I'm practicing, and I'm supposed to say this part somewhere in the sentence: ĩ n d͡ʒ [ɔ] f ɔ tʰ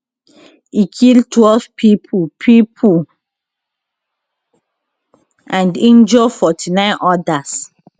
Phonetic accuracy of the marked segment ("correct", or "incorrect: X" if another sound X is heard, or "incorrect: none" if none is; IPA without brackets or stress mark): correct